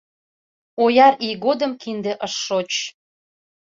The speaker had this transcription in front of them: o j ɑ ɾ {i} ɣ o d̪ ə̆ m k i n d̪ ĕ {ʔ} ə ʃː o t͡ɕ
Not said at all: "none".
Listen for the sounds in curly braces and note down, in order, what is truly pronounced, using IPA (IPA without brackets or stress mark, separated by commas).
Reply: i, ʔ